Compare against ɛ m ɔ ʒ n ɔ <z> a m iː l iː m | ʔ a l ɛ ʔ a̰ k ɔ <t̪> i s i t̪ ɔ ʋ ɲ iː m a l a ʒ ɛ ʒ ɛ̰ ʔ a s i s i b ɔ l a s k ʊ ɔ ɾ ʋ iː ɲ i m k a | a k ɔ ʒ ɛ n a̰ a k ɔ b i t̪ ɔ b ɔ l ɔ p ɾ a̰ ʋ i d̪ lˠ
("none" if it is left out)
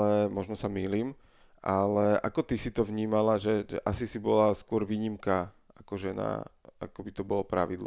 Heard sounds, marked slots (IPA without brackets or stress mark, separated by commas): s, t̪